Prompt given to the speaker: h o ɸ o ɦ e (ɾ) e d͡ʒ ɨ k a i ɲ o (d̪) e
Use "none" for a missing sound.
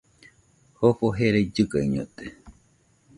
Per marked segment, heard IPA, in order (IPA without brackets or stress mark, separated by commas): ɾ, t̪